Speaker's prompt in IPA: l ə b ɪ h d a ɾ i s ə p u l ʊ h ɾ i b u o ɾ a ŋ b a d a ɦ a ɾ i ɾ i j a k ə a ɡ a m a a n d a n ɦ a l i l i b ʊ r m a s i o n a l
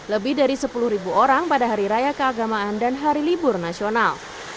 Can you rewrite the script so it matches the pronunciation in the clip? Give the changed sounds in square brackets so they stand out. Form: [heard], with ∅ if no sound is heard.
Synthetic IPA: l ə b ɪ h d a ɾ i s ə p u l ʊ h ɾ i b u o ɾ a ŋ [p] a d a ɦ a ɾ i ɾ [a] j a k ə a ɡ a m a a n d a n ɦ a [ɾ] i l i b ʊ r [n] a s i o n a l